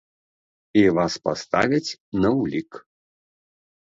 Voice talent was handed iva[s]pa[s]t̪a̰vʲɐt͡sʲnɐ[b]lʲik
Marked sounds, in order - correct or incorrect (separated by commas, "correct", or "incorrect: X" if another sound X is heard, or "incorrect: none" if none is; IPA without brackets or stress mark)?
correct, correct, incorrect: w